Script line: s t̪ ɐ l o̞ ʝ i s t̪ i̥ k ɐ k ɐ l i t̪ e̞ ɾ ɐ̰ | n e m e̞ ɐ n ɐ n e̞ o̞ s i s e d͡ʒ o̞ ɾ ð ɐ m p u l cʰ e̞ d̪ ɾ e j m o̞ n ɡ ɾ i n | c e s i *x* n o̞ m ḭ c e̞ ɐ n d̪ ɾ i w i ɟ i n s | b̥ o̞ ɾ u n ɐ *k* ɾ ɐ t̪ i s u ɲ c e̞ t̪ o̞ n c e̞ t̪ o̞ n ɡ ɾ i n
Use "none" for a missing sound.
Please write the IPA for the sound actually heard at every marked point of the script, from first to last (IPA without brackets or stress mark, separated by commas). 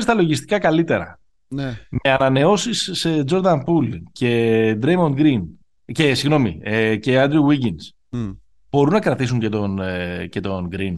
ɣ, k